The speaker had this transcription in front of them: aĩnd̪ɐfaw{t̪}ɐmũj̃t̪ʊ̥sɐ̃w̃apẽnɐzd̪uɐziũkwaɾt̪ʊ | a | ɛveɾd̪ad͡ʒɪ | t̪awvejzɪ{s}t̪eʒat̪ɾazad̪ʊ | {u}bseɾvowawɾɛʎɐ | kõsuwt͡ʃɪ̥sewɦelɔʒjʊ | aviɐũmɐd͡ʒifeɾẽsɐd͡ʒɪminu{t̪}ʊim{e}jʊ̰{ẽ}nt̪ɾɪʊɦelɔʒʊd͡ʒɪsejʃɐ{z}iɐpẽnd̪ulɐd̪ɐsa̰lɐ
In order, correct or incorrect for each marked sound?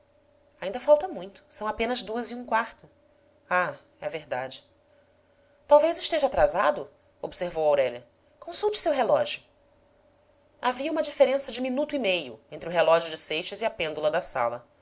correct, incorrect: ʃ, incorrect: o, correct, correct, correct, correct

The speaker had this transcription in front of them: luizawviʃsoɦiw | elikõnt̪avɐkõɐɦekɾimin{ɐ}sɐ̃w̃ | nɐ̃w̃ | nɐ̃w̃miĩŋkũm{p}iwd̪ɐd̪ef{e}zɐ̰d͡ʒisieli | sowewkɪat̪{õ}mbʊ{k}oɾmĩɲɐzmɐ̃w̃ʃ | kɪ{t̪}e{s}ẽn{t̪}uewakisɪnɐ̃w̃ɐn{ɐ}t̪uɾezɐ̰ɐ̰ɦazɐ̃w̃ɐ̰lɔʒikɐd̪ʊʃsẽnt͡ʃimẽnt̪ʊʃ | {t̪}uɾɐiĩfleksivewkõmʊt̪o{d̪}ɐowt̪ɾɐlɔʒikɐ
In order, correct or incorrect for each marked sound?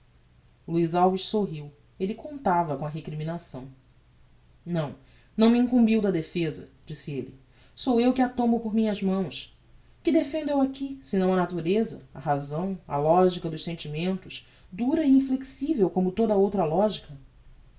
incorrect: a, incorrect: b, correct, correct, incorrect: p, incorrect: d̪, incorrect: f, incorrect: d̪, incorrect: a, incorrect: d̪, correct

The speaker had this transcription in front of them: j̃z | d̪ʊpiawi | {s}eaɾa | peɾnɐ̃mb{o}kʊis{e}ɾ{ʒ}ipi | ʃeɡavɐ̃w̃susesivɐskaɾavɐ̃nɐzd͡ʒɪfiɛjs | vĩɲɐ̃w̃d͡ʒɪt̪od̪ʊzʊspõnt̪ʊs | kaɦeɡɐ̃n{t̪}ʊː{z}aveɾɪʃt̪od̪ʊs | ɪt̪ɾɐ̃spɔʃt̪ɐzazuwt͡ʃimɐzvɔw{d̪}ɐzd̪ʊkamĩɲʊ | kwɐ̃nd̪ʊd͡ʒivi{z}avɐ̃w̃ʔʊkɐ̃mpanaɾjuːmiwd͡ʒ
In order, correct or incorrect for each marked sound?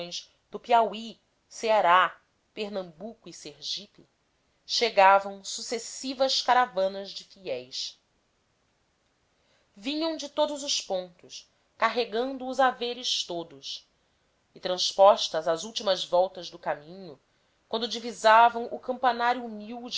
correct, incorrect: u, correct, correct, incorrect: d̪, correct, incorrect: t̪, correct

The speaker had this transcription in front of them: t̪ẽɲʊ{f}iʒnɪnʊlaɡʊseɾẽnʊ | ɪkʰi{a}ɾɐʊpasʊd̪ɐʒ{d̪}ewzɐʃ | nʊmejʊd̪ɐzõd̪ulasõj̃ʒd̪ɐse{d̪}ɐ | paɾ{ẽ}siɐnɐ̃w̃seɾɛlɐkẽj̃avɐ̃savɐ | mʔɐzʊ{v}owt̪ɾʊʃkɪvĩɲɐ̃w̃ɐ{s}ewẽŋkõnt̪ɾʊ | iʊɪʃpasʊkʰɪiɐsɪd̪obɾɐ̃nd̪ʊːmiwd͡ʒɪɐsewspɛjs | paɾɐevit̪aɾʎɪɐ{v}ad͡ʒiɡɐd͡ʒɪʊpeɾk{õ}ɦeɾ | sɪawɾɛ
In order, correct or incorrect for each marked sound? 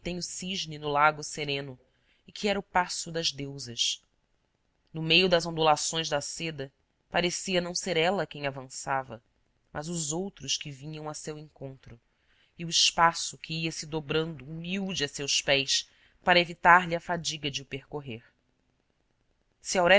incorrect: s, incorrect: ɛ, correct, correct, incorrect: e, incorrect: z, correct, incorrect: f, incorrect: o

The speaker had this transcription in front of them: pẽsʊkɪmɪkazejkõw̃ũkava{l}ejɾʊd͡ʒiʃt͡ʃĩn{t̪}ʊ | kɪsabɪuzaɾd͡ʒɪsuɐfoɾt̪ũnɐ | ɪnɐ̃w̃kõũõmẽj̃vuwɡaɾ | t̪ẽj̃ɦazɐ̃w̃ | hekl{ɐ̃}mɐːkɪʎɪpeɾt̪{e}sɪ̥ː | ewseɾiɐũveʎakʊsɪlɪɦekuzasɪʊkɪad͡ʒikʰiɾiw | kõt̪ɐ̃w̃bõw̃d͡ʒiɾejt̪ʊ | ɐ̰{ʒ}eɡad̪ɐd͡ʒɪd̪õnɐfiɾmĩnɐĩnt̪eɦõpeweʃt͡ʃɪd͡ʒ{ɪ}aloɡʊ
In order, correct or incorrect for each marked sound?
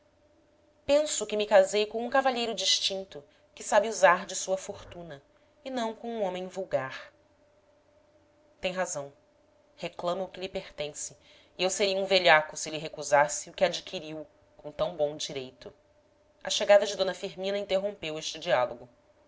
incorrect: ʎ, correct, correct, incorrect: ẽ, incorrect: ʃ, incorrect: i

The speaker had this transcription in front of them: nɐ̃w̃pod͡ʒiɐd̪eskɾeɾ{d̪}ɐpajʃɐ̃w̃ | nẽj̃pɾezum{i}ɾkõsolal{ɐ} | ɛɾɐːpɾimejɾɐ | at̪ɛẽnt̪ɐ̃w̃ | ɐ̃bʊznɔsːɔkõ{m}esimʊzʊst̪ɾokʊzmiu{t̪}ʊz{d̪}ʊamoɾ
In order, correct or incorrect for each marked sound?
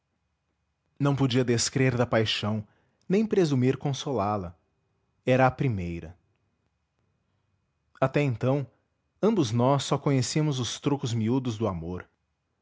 correct, correct, correct, incorrect: ɲ, incorrect: d̪, correct

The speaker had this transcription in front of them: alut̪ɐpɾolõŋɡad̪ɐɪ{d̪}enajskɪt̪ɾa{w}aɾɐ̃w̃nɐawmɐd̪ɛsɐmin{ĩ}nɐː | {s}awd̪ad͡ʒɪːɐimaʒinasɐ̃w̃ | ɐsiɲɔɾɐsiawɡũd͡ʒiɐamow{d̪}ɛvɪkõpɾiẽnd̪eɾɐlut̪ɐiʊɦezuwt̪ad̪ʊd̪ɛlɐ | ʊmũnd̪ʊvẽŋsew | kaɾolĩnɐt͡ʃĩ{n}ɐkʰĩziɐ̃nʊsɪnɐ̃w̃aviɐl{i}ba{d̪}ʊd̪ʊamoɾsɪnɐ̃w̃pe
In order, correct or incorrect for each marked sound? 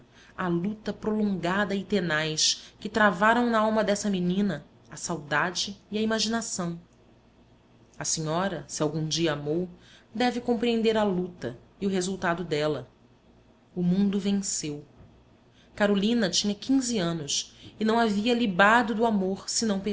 incorrect: t̪, incorrect: v, correct, correct, correct, incorrect: ɲ, correct, correct

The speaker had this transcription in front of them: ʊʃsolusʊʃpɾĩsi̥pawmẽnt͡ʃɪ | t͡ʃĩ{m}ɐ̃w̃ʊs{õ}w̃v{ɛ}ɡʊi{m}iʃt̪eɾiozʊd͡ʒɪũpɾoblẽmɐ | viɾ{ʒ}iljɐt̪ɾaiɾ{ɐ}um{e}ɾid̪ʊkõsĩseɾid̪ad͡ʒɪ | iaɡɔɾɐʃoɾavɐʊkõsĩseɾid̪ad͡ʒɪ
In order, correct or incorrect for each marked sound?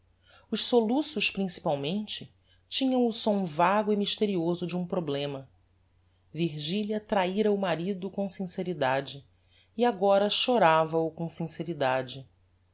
incorrect: ɲ, correct, incorrect: a, correct, correct, correct, incorrect: a

